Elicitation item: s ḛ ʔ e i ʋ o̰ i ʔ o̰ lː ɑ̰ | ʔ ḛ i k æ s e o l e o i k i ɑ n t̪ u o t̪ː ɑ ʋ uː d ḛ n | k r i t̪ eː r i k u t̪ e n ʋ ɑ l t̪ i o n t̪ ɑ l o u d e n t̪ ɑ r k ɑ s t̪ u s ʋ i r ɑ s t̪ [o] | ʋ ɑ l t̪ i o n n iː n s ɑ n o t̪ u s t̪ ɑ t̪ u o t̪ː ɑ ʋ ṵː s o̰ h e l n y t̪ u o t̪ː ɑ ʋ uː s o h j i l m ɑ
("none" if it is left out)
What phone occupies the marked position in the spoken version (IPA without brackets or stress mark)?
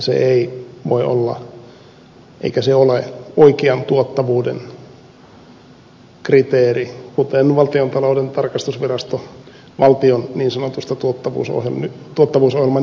o